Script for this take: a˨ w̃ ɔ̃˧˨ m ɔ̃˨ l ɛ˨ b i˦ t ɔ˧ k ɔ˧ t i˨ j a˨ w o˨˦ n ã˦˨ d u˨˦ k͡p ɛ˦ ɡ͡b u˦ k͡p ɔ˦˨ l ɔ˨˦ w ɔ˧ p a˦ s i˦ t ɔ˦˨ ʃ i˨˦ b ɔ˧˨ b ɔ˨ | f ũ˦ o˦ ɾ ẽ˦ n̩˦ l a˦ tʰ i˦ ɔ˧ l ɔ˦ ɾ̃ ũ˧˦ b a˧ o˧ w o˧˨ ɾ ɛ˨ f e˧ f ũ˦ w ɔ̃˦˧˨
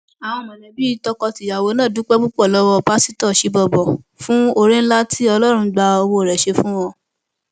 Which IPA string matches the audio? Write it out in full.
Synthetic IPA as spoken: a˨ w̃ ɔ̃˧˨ m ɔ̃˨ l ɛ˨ b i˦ t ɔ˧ k ɔ˧ t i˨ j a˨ w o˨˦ n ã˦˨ d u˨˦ k͡p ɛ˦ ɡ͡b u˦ k͡p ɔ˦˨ l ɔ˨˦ w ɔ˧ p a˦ s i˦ t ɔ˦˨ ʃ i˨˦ b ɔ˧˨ b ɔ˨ | f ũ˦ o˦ ɾ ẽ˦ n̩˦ l a˦ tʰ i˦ ɔ˧ l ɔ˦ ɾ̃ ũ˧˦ ɡ͡b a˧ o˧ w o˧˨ ɾ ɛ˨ ʃ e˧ f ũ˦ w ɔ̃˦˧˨

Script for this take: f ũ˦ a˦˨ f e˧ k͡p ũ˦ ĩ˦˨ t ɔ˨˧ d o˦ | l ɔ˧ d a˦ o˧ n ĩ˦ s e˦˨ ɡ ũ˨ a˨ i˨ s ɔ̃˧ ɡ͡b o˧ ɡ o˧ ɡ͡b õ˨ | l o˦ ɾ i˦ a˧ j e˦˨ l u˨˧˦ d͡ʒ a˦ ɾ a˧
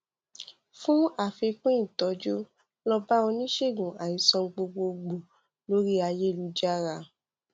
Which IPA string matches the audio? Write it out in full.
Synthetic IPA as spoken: f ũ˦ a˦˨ f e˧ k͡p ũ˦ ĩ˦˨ t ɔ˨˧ d͡ʒ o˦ | l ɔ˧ b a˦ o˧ n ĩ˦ ʃ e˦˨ ɡ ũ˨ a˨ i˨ s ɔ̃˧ ɡ͡b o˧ ɡ͡b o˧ ɡ͡b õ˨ | l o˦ ɾ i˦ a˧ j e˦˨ l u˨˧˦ d͡ʒ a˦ ɾ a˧

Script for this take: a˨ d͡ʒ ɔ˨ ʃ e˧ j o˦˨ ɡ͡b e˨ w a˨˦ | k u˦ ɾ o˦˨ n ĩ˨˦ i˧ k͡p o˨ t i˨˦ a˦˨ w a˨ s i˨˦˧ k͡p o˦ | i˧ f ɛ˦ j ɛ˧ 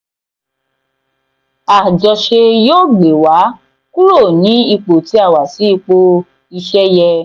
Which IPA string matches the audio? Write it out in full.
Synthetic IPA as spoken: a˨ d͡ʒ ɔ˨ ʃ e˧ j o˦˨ ɡ͡b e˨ w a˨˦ | k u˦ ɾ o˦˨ n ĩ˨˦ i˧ k͡p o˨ t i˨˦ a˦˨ w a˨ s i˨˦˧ k͡p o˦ | i˧ ʃ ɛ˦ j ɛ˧

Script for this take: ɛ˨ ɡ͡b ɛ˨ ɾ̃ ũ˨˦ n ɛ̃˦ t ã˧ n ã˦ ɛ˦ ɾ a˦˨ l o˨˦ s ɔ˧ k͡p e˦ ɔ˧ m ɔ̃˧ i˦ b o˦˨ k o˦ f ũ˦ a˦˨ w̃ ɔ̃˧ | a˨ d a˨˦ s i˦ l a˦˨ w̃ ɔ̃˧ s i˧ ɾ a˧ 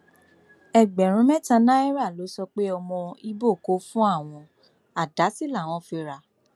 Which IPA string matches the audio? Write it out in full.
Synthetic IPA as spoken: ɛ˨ ɡ͡b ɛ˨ ɾ̃ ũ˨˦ m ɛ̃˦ t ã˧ n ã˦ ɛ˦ ɾ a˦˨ l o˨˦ s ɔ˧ k͡p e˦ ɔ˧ m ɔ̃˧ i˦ b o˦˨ k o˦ f ũ˦ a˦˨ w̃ ɔ̃˧ | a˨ d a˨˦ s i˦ l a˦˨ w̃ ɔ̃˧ f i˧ ɾ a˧

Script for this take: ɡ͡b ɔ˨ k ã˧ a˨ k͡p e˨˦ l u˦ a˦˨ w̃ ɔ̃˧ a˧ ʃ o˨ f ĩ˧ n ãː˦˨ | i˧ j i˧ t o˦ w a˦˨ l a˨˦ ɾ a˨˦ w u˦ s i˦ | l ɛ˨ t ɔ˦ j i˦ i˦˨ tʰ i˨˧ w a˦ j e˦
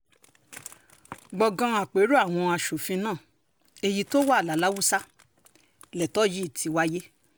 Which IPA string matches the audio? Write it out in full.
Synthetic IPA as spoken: ɡ͡b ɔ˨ ɡ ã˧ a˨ k͡p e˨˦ ɾ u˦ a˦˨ w̃ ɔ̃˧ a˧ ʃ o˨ f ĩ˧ n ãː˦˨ | e˧ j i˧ t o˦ w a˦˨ l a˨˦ l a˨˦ w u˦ s a˦ | l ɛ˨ t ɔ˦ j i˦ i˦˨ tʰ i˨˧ w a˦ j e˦

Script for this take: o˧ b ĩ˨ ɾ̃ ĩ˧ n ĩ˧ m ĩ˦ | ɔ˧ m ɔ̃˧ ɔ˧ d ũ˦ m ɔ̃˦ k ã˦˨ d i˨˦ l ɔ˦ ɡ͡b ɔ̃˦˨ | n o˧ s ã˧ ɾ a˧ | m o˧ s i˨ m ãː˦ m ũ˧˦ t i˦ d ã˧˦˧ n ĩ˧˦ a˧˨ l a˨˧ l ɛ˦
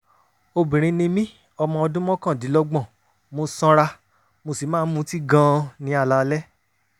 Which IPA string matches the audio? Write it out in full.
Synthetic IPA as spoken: o˧ b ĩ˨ ɾ̃ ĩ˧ n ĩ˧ m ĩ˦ | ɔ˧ m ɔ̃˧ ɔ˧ d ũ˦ m ɔ̃˦ k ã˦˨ d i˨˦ l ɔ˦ ɡ͡b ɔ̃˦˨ | m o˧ s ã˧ ɾ a˧ | m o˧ s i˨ m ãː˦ m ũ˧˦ t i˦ ɡ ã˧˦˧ n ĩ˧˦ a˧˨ l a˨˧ l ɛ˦

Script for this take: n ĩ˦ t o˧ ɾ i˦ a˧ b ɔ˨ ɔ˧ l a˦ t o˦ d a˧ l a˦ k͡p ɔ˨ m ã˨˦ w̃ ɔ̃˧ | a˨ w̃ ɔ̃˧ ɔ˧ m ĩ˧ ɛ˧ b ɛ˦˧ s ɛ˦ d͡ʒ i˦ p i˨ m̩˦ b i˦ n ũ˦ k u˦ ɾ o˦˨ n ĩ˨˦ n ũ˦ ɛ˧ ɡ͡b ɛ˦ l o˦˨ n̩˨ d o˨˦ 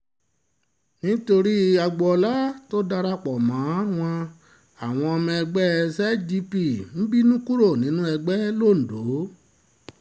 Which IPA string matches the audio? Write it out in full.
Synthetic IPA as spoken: n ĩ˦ t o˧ ɾ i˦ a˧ ɡ͡b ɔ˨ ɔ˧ l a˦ t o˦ d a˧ ɾ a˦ k͡p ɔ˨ m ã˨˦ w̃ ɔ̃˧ | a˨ w̃ ɔ̃˧ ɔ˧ m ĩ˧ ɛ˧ ɡ͡b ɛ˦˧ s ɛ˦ d͡ʒ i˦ p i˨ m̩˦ b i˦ n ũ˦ k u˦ ɾ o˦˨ n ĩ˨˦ n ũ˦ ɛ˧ ɡ͡b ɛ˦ l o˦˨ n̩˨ d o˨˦

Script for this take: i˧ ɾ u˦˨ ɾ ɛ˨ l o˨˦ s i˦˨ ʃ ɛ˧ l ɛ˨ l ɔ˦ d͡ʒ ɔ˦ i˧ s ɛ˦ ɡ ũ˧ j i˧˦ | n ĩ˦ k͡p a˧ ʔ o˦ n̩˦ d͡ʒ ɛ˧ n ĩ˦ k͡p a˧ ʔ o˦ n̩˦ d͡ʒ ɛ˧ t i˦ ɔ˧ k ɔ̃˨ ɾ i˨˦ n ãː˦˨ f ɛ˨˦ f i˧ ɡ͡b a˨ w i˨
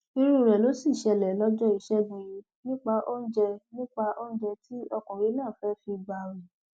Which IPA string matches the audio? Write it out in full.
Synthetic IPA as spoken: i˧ ɾ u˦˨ ɾ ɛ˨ l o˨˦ s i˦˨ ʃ ɛ˧ l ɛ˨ l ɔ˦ d͡ʒ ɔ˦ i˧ ʃ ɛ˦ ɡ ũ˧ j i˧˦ | n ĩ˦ k͡p a˧ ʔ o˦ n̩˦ d͡ʒ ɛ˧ n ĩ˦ k͡p a˧ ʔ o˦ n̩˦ d͡ʒ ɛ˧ t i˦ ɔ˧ k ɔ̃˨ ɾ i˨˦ n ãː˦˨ f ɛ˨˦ f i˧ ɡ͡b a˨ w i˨

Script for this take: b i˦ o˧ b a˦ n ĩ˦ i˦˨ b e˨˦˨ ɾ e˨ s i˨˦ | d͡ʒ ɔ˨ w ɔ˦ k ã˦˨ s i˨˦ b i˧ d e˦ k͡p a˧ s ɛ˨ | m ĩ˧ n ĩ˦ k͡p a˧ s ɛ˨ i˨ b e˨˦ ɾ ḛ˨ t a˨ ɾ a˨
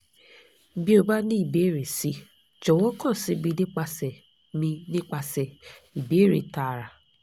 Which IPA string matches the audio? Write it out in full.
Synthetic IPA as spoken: b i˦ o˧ b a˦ n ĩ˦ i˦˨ b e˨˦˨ ɾ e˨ s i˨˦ | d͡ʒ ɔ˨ w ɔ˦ k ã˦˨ s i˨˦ b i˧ d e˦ k͡p a˧ s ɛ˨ | m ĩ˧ n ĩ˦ k͡p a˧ s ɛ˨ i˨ b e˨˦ ɾ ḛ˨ t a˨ ɾ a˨

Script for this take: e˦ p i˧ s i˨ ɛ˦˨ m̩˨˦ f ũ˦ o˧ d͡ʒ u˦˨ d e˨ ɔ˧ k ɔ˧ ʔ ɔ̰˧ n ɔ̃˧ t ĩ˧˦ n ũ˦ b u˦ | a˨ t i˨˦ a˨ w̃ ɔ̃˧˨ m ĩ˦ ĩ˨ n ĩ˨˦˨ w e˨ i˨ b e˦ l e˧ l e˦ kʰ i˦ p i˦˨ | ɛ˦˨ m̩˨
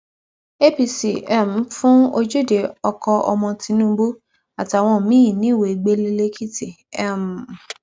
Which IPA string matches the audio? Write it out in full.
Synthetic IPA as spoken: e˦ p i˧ s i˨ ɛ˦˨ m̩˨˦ f ũ˦ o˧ d͡ʒ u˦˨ d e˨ ɔ˧ k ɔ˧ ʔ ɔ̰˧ m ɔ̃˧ t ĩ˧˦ n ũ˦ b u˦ | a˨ t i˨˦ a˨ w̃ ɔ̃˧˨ m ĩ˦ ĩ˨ n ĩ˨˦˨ w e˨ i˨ ɡ͡b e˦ l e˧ l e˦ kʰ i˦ t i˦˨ | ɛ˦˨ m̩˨

